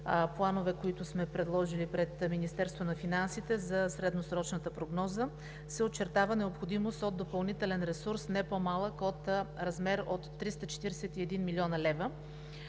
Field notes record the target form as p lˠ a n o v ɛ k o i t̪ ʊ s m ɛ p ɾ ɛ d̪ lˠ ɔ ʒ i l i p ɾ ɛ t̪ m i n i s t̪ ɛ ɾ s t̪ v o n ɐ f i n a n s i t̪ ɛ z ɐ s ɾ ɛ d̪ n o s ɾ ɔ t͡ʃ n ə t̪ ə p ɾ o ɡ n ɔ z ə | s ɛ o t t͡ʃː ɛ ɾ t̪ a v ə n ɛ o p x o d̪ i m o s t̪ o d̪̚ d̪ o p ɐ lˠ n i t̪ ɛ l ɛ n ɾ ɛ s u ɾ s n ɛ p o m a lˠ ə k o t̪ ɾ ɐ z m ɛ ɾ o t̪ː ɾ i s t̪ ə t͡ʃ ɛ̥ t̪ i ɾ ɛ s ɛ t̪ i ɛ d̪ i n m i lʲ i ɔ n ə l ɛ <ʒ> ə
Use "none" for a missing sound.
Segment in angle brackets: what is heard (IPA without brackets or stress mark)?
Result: v